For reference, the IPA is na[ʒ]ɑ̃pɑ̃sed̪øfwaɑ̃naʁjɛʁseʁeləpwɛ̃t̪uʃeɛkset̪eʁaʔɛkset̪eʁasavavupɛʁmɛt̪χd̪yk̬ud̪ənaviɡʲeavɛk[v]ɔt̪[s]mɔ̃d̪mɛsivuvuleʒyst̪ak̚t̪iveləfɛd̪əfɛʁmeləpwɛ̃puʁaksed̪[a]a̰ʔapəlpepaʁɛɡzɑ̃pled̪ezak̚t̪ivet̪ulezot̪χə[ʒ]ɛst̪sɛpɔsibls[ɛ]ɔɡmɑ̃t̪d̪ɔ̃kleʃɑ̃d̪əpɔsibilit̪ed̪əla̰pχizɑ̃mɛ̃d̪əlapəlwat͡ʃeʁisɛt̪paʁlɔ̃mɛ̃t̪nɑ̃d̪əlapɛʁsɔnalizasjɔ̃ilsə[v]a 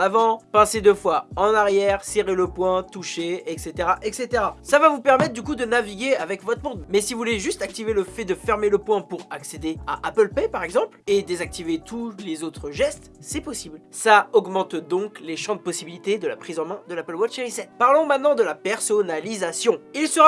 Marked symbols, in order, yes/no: no, yes, no, no, yes, no, no

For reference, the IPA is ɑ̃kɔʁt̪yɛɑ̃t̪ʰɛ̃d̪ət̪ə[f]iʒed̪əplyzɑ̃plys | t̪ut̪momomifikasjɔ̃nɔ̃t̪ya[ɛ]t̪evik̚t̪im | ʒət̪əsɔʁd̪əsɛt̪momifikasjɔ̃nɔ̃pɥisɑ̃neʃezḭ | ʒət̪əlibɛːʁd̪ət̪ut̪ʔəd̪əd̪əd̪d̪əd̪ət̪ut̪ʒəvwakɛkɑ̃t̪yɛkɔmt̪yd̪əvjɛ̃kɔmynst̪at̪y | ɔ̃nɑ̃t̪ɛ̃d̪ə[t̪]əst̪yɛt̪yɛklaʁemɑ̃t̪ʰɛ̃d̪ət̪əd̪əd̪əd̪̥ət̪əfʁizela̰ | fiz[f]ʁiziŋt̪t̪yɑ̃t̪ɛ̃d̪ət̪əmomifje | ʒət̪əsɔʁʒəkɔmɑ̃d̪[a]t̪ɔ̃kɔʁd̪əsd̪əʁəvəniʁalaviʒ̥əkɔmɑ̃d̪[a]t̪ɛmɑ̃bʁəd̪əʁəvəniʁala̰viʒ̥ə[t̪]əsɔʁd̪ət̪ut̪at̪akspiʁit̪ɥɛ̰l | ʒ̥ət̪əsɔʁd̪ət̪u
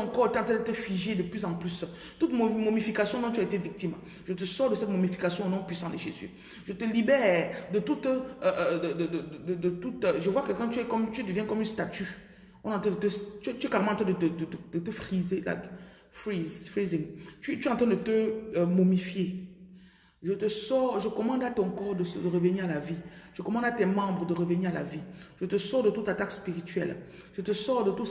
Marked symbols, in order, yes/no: yes, no, yes, yes, yes, yes, yes

